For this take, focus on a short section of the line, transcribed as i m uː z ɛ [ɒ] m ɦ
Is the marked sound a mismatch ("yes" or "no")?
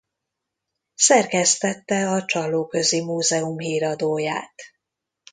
yes